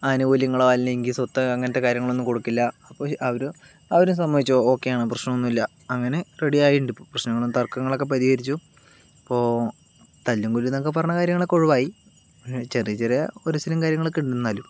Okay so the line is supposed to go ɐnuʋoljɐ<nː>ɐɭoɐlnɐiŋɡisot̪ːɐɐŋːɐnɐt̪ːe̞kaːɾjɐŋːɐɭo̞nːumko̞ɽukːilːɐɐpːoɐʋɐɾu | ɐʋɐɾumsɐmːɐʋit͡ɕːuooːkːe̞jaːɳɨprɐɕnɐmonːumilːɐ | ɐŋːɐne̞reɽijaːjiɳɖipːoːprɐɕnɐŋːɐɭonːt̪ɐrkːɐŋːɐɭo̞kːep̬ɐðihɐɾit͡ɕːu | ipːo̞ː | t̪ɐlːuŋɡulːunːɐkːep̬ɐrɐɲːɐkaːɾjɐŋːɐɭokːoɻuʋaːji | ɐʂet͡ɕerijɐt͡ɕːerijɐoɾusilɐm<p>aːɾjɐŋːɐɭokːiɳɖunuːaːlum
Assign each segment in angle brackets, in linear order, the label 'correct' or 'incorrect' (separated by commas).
incorrect, incorrect